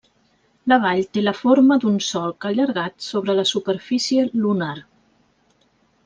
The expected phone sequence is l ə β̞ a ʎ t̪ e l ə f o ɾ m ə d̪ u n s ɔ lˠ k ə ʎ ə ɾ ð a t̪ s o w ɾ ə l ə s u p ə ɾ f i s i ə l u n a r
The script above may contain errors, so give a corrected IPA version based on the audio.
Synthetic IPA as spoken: l ə β̞ a ʎ t̪ e l ə f o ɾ m ə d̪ u n s ɔ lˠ k ə ʎ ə ɾ ɣ a t̪ s o β ɾ ə l ə s u p ə ɾ f i s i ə l u n a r